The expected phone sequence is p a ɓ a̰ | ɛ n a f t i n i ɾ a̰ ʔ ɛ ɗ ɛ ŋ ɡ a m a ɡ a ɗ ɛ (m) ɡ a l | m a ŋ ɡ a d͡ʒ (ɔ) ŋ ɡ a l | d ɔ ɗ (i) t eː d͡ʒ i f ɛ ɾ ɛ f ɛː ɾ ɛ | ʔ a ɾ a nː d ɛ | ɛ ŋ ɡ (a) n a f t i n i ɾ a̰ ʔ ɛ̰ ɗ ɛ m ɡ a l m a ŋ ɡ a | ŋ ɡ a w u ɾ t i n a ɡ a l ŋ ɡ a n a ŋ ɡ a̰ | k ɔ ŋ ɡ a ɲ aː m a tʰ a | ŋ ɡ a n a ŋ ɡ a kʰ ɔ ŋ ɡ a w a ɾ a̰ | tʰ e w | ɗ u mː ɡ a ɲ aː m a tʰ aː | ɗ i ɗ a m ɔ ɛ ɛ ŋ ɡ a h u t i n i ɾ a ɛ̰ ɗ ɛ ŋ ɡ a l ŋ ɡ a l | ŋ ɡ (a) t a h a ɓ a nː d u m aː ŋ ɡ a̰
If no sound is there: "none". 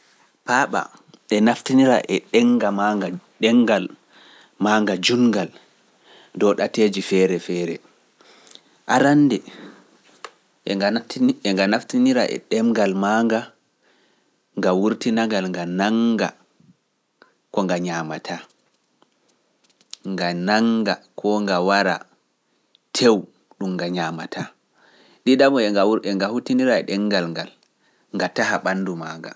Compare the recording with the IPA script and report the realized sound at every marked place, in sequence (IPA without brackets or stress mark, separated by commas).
ŋ, u, a, a, a